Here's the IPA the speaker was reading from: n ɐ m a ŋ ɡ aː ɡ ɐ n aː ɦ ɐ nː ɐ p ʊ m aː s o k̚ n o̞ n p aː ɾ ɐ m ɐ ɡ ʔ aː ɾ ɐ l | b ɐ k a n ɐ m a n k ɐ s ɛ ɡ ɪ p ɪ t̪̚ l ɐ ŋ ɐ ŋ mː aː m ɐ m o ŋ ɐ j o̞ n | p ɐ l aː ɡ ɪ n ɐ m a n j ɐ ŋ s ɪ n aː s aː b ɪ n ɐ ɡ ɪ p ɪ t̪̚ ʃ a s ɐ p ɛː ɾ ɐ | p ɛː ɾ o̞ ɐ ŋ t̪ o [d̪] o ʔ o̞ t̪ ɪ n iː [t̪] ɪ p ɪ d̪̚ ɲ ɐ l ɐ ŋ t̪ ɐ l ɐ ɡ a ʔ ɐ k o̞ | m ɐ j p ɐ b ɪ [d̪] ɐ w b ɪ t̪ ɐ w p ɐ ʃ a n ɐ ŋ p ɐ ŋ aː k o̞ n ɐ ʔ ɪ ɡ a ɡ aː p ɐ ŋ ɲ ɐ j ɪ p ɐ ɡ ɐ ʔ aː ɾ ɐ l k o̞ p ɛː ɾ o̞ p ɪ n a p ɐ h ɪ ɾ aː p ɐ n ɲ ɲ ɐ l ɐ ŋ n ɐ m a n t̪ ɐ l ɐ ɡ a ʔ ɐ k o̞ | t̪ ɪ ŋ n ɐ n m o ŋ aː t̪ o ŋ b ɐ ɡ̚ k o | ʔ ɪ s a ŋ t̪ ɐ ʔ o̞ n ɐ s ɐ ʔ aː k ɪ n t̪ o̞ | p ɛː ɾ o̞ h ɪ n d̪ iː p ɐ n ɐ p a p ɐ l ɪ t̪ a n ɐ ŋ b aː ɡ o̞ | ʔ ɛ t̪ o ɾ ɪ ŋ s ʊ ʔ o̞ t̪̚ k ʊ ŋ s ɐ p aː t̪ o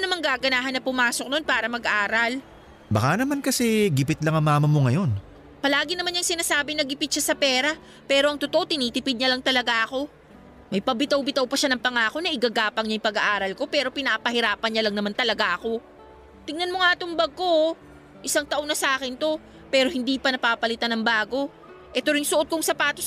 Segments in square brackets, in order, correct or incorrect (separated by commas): incorrect, correct, incorrect